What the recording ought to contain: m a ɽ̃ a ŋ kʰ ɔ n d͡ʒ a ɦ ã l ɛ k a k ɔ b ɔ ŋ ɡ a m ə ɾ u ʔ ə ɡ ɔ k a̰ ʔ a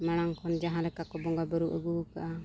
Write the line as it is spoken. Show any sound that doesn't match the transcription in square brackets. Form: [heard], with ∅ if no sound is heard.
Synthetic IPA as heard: m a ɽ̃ a ŋ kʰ ɔ n d͡ʒ a ɦ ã l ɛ k a k ɔ b ɔ ŋ ɡ a [b] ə ɾ u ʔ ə ɡ [u] k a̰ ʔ a